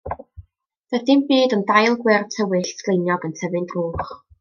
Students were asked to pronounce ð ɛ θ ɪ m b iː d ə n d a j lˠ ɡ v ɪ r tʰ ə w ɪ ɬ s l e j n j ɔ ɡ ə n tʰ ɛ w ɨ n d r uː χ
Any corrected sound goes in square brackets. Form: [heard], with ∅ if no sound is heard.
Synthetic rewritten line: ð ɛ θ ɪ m b iː d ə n d a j lˠ ɡ [w] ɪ r tʰ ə w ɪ ɬ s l e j n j ɔ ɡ ə n tʰ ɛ [v] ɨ n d r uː χ